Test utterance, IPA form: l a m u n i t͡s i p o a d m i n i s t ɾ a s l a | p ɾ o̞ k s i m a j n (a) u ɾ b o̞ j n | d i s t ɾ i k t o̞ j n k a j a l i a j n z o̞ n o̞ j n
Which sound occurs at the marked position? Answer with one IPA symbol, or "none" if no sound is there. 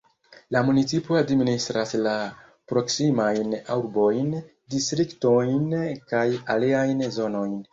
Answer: a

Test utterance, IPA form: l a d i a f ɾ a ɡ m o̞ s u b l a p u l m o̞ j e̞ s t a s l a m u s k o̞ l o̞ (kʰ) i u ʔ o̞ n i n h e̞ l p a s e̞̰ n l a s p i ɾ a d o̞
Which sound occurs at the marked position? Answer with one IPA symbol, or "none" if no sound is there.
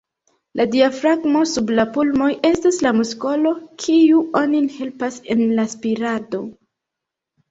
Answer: kʰ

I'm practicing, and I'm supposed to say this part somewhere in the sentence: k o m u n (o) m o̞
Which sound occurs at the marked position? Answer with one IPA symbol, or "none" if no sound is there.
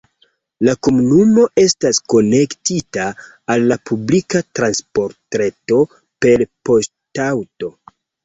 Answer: u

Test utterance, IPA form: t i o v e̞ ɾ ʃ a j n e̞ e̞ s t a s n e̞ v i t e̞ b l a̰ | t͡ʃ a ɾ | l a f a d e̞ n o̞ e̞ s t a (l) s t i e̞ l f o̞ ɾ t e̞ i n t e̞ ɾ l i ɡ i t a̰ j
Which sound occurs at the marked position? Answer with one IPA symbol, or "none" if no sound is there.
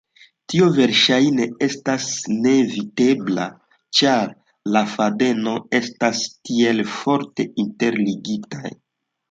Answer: none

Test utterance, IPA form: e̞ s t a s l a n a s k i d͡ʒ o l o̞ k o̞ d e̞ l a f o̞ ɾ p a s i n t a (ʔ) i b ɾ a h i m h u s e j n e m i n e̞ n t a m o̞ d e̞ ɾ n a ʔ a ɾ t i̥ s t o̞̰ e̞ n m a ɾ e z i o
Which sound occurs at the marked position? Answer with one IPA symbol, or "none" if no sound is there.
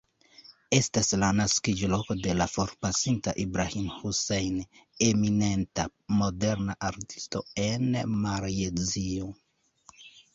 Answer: ʔ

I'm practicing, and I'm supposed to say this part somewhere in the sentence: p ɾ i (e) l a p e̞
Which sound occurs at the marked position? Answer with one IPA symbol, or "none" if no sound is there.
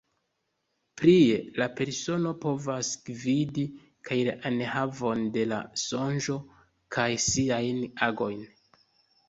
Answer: e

